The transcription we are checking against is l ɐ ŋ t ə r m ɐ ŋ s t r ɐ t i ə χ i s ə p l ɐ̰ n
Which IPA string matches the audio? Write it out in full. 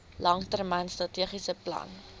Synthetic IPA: l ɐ ŋ t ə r m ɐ n s t r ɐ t i ə χ i s ə p l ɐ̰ n

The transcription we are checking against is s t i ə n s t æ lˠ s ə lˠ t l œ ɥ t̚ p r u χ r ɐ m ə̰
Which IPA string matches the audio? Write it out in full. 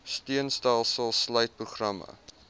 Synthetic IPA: s t i ə n s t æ lˠ s ə lˠ s l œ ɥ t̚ p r u χ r ɐ m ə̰

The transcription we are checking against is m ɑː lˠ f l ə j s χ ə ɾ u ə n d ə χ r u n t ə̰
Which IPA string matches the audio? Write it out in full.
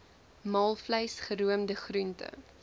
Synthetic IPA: m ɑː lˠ f l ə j s χ ə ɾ u ə m d ə χ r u n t ə̰

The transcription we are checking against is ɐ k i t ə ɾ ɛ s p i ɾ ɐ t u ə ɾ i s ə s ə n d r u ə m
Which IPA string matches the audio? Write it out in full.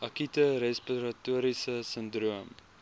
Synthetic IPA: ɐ k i t ə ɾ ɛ s p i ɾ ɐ t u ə ɾ i s ə s ə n d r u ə m

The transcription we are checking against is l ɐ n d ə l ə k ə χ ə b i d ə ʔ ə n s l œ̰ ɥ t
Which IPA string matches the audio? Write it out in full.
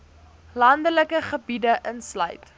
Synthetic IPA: l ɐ n d ə l ə k ə χ ə b i d ə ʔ ə n s l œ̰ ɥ t

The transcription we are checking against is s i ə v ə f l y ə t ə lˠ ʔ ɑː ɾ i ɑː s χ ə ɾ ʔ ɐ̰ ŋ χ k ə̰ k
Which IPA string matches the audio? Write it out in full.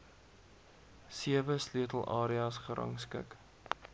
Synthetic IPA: s i ə v ə s l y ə t ə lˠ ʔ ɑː ɾ i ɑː s χ ə ɾ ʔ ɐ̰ ŋ s k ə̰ k

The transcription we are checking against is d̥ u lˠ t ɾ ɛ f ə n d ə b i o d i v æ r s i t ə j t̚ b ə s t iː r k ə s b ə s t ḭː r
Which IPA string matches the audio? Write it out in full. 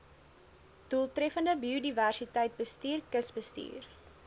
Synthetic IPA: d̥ u lˠ t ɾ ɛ f ə n d ə b i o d i v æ r s i t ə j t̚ b ə s t iː r k ə s b ə s t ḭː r

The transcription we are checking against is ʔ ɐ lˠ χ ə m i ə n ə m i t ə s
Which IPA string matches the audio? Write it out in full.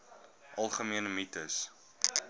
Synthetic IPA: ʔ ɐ lˠ χ ə m i ə n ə m i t ə s

